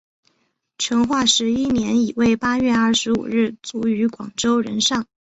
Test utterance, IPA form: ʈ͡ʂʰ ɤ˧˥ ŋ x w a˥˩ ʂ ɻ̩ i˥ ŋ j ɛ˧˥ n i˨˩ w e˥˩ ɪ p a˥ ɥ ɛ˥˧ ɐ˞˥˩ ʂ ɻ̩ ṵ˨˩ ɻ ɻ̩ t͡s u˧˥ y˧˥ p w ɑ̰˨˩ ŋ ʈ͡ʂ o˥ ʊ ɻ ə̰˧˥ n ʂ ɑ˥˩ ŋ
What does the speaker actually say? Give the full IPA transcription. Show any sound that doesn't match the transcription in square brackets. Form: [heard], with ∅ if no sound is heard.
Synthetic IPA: ʈ͡ʂʰ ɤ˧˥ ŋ x w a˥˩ ʂ ɻ̩ i˥ [n] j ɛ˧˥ n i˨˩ w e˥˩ ɪ p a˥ ɥ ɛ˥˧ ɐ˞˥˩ ʂ ɻ̩ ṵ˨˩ ɻ ɻ̩ t͡s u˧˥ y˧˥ [k] w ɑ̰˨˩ ŋ ʈ͡ʂ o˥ ʊ ɻ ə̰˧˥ n ʂ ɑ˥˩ ŋ